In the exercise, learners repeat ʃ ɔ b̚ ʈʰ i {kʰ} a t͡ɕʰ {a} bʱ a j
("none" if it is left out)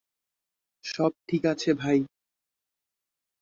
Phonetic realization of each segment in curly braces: k, e

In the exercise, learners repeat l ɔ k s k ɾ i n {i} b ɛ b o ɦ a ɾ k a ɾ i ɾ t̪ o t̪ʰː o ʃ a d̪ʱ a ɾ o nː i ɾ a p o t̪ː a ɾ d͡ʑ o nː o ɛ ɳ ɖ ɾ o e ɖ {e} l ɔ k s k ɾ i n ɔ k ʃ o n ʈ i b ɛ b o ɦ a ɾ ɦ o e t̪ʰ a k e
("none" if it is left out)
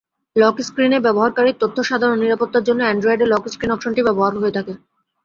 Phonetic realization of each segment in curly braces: e, e

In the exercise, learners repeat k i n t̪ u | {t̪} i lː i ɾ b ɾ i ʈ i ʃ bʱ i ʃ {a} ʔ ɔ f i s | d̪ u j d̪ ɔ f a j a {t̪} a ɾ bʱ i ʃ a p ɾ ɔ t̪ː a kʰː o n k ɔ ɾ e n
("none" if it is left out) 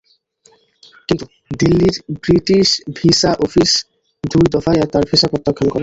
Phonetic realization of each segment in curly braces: d̪, a, t̪

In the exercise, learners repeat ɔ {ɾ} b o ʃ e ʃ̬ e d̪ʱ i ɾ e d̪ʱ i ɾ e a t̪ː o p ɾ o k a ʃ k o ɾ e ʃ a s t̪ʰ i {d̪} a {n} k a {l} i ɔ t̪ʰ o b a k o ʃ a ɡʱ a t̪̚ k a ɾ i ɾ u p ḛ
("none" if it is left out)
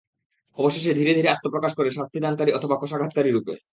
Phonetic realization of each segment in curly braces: none, d̪, n, ɾ

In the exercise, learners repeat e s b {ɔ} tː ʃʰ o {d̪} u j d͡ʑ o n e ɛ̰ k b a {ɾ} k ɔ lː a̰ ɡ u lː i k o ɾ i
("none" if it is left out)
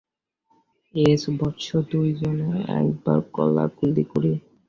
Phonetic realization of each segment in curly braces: ɔ, d̪, ɾ

